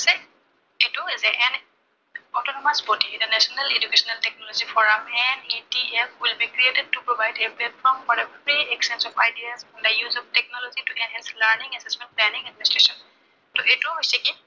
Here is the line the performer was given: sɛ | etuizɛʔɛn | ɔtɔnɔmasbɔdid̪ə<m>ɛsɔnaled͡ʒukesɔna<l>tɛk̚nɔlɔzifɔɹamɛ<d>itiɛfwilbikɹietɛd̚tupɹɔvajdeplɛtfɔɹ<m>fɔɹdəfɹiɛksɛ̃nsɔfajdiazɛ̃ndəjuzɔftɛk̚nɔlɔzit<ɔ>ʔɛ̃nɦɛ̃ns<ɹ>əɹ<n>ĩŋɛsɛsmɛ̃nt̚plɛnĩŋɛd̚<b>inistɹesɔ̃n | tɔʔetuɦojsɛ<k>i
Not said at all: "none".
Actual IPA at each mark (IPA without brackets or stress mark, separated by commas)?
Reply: n, l, n, m, u, l, n, m, k